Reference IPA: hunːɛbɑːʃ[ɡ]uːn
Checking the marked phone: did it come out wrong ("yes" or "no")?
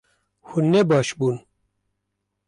yes